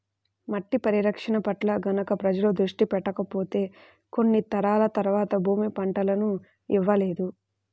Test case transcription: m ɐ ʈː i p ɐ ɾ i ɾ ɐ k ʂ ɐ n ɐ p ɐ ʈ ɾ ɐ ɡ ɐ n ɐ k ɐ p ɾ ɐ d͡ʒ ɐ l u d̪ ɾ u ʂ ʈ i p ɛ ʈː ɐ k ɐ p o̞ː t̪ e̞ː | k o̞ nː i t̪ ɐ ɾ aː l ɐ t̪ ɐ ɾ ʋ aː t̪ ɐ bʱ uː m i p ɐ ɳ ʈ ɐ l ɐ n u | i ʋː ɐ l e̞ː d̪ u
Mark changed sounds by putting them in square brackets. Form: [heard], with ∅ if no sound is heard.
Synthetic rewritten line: m ɐ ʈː i p ɐ ɾ i ɾ ɐ k ʂ ɐ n ɐ p ɐ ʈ [l] ɐ ɡ ɐ n ɐ k ɐ p ɾ ɐ d͡ʒ ɐ l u d̪ ɾ u ʂ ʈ i p ɛ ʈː ɐ k ɐ p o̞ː t̪ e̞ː | k o̞ nː i t̪ ɐ ɾ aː l ɐ t̪ ɐ ɾ ʋ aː t̪ ɐ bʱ uː m i p ɐ ɳ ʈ ɐ l ɐ n u | i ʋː ɐ l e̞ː d̪ u